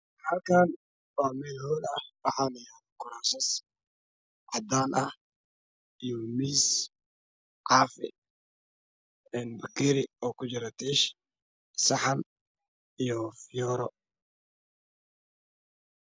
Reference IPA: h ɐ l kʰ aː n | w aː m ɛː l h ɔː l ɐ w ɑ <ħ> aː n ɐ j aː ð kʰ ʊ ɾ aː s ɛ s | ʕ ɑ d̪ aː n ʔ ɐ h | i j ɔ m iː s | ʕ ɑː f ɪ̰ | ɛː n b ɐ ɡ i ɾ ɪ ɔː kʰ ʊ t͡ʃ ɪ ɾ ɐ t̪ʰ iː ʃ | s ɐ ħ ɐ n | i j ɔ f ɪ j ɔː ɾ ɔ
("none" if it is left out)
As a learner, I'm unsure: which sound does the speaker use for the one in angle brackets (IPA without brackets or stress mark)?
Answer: ħ